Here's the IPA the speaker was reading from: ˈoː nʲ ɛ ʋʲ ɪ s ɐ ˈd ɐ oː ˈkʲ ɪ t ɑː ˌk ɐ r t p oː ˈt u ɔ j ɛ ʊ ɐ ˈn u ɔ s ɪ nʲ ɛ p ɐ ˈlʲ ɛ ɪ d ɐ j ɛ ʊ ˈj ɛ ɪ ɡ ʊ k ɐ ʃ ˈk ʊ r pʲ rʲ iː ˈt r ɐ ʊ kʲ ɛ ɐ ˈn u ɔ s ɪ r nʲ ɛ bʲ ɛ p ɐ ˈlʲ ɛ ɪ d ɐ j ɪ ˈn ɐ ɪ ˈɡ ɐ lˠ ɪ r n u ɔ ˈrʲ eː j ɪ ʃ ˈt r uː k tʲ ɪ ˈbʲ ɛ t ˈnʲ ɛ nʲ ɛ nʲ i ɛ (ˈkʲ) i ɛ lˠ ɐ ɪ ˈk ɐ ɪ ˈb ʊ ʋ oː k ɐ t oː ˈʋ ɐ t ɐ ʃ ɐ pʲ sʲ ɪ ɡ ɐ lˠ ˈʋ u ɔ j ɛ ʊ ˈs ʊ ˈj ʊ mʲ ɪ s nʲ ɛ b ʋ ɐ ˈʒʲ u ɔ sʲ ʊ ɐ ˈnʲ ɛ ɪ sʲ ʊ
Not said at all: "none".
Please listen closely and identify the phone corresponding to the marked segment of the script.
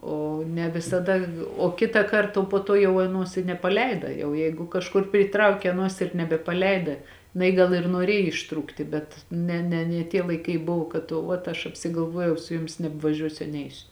tʲ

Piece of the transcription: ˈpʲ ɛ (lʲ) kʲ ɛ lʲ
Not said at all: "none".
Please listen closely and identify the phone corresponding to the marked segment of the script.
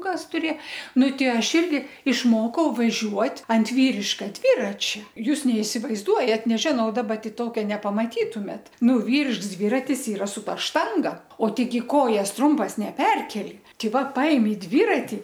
rʲ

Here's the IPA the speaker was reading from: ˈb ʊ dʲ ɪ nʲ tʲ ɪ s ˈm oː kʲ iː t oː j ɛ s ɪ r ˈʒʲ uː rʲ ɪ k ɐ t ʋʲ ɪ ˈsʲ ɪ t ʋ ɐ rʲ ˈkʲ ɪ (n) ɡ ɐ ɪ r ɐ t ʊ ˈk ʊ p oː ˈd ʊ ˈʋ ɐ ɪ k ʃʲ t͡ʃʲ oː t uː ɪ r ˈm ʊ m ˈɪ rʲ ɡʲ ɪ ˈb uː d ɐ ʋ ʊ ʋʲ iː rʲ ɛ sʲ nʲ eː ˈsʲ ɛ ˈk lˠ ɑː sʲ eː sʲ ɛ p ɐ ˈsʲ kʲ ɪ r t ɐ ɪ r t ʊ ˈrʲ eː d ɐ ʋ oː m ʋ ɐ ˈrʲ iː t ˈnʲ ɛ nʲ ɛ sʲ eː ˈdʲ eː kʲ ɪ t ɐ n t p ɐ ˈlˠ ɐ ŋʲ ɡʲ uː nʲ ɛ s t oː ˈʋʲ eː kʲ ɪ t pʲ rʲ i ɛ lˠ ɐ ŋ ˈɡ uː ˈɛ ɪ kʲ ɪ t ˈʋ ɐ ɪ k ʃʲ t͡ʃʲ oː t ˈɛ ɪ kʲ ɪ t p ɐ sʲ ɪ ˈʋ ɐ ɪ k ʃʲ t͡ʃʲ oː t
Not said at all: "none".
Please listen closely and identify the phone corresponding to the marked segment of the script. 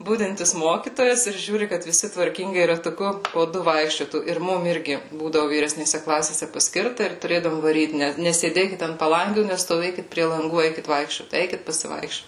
ŋ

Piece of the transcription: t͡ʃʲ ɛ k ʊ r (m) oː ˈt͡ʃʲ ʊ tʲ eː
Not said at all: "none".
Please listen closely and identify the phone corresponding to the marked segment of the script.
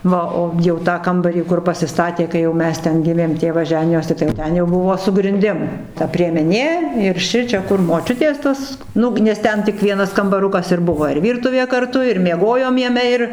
m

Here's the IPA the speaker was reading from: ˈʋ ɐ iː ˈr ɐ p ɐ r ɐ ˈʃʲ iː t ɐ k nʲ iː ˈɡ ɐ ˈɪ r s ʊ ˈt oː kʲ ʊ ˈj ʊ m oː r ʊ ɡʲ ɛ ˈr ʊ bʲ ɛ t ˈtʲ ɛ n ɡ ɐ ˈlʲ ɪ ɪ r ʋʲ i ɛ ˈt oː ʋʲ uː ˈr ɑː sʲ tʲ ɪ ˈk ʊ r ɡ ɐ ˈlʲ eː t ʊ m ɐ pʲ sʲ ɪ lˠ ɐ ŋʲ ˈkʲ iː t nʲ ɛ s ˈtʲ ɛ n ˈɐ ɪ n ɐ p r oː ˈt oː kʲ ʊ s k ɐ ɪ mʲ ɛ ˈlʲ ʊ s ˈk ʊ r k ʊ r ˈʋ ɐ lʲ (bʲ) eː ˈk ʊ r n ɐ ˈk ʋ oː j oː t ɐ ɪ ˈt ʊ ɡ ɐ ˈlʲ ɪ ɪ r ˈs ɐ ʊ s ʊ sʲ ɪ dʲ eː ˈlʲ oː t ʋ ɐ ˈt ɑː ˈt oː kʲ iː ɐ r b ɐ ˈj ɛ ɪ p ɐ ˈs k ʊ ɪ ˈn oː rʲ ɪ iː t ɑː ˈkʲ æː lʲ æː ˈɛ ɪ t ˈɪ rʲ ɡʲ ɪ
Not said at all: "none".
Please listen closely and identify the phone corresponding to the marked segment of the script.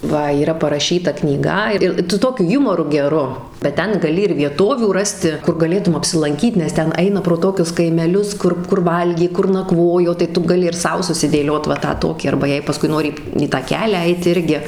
ɡʲ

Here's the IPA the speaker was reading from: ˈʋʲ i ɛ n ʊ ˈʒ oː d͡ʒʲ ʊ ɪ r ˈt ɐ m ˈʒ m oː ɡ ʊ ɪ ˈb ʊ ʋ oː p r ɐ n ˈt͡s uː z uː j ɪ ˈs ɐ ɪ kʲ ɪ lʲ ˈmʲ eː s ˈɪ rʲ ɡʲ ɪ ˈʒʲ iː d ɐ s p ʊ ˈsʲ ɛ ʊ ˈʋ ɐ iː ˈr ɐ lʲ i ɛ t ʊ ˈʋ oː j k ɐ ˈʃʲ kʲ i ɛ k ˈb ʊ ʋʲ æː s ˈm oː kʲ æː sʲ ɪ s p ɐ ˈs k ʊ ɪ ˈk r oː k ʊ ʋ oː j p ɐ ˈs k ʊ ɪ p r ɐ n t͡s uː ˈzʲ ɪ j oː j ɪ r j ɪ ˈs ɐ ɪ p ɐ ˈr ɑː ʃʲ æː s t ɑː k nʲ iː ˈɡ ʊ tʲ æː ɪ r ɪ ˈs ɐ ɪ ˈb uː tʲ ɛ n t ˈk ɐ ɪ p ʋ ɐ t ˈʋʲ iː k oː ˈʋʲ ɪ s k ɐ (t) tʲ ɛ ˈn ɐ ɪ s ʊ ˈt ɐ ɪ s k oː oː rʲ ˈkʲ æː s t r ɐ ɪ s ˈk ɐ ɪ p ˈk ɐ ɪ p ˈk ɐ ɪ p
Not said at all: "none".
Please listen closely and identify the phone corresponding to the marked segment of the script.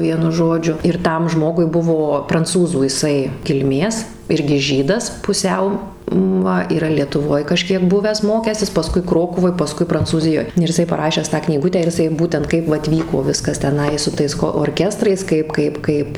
s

